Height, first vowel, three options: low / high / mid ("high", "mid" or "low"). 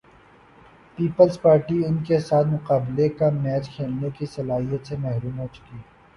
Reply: high